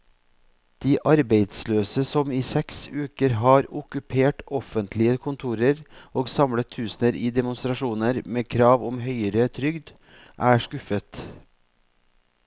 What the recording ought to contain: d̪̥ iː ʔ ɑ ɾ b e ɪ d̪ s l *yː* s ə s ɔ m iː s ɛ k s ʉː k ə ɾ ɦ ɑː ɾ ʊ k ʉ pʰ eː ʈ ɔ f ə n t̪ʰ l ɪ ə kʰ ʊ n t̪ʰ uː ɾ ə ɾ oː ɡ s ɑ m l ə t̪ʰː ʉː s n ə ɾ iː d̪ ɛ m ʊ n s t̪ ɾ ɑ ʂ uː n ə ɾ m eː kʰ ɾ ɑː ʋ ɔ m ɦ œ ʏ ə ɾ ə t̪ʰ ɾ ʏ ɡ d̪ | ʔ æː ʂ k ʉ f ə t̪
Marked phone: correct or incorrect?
incorrect